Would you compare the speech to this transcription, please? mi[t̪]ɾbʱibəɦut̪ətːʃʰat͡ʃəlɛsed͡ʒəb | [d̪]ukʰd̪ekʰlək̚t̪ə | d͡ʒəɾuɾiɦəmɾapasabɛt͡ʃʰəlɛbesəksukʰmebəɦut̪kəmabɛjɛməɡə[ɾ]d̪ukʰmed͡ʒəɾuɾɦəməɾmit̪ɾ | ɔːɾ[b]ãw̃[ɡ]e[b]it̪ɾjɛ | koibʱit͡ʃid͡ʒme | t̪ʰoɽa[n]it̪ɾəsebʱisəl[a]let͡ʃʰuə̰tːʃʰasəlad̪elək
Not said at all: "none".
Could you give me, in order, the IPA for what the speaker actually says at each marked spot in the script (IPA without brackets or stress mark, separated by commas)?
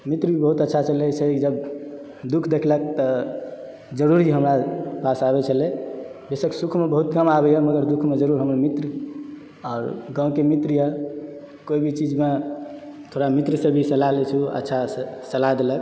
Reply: t̪, d̪, ɾ, ɡ, k, m, m, a